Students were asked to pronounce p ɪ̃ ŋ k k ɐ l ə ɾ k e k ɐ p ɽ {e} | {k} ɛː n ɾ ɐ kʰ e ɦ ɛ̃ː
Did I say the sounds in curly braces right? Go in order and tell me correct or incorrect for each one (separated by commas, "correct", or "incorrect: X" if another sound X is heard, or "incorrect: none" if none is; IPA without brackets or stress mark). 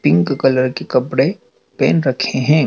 correct, incorrect: p